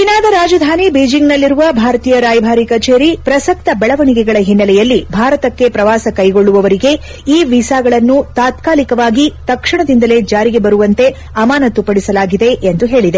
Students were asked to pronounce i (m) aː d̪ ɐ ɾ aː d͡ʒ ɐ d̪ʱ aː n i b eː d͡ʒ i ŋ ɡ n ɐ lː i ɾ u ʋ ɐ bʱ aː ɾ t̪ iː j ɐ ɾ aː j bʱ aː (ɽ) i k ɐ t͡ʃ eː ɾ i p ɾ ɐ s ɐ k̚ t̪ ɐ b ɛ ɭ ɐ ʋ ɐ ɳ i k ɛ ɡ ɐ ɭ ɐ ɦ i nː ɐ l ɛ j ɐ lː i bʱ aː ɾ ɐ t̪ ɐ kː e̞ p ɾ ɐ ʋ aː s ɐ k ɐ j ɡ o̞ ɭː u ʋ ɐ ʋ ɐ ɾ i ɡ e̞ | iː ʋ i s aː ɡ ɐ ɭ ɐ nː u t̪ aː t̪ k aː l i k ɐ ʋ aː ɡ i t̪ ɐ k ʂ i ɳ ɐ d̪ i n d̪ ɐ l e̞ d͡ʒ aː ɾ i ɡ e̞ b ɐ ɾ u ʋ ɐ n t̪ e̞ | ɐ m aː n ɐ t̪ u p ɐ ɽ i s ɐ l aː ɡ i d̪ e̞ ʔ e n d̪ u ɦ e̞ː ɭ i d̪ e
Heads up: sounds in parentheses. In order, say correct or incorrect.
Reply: incorrect: n, incorrect: ɾ

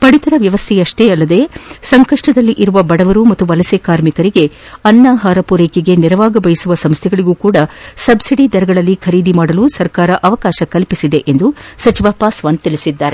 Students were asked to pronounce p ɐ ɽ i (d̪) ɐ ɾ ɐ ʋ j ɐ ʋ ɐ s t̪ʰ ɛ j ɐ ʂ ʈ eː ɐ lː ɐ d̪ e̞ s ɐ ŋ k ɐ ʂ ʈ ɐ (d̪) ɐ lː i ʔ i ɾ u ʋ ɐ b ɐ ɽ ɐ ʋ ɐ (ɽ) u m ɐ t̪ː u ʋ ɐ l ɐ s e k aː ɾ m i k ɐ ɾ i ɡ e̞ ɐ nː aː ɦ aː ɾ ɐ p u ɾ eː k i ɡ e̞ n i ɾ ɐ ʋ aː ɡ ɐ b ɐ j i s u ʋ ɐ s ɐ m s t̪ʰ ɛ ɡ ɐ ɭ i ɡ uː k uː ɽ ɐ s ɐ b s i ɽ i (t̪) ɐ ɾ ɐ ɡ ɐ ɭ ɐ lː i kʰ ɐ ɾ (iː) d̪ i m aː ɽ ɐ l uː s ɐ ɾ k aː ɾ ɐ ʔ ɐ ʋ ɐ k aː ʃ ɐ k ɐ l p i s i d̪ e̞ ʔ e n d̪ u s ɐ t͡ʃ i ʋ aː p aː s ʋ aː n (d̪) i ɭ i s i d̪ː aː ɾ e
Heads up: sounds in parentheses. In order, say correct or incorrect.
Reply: incorrect: t̪, correct, incorrect: ɾ, incorrect: d̪, correct, incorrect: t̪

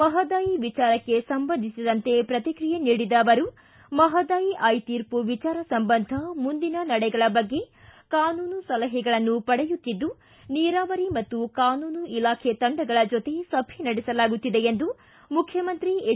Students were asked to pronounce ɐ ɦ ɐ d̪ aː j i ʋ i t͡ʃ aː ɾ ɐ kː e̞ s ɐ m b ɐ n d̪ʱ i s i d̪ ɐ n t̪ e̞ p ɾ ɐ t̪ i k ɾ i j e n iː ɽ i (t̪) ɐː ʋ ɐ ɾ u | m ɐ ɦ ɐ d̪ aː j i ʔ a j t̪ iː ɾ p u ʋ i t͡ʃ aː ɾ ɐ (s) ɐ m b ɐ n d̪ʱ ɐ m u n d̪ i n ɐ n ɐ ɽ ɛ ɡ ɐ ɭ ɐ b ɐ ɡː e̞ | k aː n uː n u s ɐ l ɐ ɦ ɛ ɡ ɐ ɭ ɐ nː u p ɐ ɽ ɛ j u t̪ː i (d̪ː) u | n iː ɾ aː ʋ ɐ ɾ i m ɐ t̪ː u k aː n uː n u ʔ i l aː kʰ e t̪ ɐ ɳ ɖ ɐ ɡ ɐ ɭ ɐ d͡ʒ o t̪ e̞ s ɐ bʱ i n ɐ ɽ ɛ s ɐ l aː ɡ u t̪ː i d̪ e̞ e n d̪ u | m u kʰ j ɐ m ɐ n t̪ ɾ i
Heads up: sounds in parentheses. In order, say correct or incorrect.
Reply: incorrect: d̪, correct, correct

